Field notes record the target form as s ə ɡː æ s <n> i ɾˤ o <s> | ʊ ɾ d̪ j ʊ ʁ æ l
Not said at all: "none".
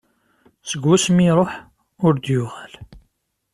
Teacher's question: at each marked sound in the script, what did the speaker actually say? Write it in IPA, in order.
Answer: m, ħ

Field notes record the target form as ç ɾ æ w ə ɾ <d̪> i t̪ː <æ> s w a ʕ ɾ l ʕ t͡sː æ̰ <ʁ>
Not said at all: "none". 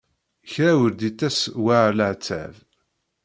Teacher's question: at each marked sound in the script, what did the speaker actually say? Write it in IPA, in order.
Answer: d̪, æ, v

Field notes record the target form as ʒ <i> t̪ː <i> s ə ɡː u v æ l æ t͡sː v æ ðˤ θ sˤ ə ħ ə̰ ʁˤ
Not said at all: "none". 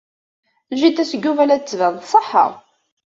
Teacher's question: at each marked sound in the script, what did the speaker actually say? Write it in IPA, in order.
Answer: i, æ

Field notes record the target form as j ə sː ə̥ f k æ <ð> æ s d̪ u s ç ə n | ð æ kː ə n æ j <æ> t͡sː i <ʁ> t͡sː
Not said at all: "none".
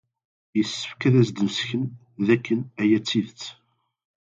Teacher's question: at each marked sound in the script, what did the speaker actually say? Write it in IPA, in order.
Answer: ð, æ, ð

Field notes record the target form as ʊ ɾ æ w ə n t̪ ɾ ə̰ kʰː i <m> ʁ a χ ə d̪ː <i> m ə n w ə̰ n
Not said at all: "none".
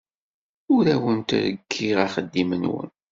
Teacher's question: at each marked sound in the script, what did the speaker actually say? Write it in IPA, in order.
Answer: none, i

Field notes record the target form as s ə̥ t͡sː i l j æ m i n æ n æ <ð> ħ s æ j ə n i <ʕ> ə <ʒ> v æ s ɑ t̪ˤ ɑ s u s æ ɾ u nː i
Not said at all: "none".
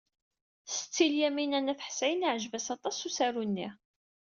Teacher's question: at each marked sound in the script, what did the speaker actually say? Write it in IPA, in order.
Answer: θ, ʕ, ʒ

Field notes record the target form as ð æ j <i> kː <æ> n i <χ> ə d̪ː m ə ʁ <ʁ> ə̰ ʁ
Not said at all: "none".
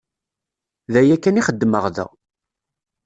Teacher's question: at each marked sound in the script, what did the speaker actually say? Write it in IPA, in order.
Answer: æ, æ, χ, ð

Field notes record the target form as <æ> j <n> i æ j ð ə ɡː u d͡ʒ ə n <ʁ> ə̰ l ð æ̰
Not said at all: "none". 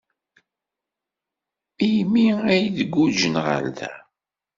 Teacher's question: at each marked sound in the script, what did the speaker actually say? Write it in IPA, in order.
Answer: i, m, ʁ

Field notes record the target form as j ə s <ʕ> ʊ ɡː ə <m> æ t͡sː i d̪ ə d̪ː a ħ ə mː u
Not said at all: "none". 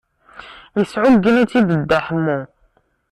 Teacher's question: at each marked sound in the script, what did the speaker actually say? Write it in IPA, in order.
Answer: ʕ, n

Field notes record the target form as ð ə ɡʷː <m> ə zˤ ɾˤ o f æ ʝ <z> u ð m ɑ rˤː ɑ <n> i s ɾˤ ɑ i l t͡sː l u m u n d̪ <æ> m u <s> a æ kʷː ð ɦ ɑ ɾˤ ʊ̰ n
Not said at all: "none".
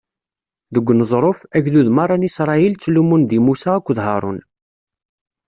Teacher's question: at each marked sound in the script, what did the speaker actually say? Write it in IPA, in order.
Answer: n, ð, n, i, s

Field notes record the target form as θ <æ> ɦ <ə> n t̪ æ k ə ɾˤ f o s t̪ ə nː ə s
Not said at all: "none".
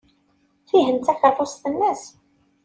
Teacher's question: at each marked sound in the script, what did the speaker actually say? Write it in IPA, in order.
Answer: i, ə

